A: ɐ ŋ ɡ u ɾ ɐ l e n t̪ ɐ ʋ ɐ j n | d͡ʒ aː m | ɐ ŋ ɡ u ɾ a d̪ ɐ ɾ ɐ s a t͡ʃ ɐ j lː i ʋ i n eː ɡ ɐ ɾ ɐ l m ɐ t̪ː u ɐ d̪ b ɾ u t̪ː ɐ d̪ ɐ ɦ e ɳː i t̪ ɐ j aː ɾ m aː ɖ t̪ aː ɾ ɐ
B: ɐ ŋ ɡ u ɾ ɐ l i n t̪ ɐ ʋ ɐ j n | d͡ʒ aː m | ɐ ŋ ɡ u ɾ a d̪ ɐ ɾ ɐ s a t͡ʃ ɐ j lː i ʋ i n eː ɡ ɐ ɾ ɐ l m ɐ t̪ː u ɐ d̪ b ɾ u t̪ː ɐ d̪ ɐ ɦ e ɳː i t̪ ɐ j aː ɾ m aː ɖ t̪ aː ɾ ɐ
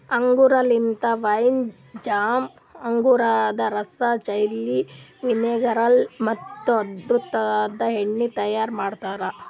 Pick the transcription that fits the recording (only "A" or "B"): B